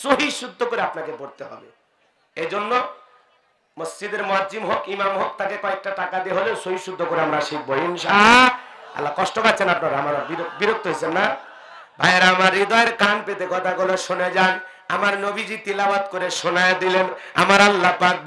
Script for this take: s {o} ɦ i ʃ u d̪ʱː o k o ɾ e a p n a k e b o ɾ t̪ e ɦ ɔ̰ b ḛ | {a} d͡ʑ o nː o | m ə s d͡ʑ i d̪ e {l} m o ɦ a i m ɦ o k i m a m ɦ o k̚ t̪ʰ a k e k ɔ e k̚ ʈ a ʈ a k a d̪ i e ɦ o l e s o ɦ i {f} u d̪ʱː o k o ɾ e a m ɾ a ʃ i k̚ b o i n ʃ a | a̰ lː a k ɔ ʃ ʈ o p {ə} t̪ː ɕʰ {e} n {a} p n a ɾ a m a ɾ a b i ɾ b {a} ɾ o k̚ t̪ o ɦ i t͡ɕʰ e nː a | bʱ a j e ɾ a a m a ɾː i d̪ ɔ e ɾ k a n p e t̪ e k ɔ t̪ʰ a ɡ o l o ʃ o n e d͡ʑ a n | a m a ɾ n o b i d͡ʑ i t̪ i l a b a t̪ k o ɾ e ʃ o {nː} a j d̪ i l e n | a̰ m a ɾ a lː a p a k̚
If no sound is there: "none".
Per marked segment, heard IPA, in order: o, e, ɾ, ʃ, a, e, a, i, n

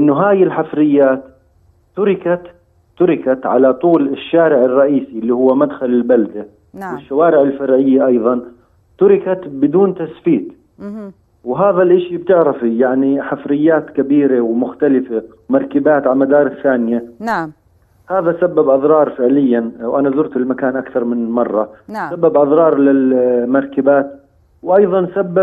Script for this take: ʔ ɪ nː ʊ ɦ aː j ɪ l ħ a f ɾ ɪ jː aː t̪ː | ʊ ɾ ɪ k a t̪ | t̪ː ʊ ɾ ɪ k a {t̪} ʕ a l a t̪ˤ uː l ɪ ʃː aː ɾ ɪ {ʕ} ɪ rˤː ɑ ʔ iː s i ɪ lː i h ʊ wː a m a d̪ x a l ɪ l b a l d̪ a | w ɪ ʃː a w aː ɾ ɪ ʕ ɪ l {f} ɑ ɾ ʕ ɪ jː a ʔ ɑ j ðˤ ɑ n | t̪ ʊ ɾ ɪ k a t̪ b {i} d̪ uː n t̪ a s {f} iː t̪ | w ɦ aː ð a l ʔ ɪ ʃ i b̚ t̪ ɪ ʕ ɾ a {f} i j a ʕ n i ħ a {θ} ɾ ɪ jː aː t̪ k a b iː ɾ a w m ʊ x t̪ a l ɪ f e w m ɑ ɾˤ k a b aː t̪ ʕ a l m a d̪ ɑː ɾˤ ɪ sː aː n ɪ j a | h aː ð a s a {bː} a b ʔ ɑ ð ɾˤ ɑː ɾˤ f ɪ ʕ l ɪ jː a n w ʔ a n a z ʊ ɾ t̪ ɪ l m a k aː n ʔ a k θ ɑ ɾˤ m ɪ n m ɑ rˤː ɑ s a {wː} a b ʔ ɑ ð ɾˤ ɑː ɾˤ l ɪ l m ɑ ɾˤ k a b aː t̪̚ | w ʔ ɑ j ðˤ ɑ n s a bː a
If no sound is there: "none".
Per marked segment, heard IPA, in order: t̪, ʕ, f, ɪ, f, f, f, bː, bː

